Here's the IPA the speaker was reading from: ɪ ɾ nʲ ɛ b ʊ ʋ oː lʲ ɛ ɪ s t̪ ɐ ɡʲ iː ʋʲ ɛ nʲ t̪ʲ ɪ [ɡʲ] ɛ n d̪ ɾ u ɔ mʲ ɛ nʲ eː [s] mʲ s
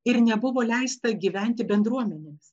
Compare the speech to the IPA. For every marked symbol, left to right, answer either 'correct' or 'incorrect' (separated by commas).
incorrect, incorrect